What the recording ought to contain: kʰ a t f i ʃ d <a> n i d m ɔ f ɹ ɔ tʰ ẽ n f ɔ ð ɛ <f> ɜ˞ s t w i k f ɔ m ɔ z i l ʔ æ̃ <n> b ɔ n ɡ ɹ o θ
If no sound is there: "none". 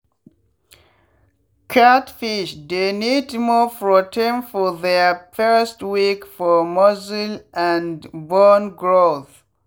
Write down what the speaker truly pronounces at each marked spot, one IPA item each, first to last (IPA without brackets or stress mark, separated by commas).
e, f, n